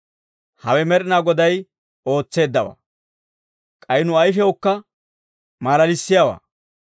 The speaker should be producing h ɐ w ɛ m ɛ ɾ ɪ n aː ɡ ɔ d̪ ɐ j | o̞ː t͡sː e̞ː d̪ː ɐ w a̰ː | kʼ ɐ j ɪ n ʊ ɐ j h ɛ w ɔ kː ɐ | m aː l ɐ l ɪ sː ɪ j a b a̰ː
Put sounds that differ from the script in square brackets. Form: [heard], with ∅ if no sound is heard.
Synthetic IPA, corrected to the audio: h ɐ w ɛ m ɛ ɾ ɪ n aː ɡ ɔ d̪ ɐ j | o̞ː t͡sː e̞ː d̪ː ɐ w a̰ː | kʼ ɐ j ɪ n ʊ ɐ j [f] ɛ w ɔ kː ɐ | m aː l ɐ l ɪ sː ɪ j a [w] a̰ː